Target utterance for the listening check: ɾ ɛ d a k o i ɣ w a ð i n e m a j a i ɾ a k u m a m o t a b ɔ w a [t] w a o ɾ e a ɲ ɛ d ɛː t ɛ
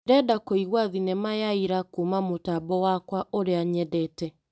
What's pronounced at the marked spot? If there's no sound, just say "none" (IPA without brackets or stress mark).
k